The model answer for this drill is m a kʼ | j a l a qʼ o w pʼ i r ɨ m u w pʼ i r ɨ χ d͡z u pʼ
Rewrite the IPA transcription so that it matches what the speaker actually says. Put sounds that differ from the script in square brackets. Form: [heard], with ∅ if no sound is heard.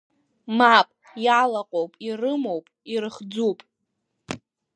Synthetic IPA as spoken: m a [pʼ] | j a l a qʼ o w pʼ i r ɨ m [o] w pʼ i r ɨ χ d͡z u pʼ